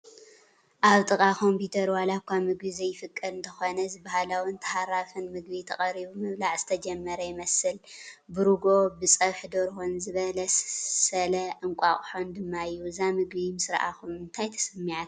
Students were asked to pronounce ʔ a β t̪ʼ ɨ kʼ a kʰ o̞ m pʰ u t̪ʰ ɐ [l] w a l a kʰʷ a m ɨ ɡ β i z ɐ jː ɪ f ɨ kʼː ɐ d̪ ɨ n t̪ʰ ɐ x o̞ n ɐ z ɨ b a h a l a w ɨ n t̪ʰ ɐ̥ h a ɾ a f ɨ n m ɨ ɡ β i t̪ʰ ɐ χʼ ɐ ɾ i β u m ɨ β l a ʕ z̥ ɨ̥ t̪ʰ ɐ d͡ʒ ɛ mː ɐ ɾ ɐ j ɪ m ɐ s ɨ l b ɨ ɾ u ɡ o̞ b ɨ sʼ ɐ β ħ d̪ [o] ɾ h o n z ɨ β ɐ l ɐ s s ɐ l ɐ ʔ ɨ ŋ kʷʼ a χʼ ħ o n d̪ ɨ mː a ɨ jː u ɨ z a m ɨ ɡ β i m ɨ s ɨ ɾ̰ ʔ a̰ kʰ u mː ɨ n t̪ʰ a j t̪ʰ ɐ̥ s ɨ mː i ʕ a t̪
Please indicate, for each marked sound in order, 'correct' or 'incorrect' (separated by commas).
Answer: incorrect, correct